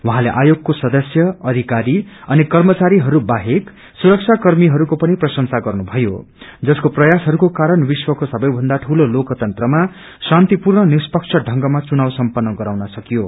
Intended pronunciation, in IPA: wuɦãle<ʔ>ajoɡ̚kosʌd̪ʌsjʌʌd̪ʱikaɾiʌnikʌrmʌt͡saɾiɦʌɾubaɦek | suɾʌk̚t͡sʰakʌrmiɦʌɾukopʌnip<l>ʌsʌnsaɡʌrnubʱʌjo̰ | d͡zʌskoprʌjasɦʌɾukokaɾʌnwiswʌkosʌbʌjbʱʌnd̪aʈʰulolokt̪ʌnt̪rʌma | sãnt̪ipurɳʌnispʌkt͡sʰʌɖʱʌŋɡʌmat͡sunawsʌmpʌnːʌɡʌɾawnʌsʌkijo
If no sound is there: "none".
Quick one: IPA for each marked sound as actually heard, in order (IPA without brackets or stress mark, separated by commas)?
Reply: ʔ, r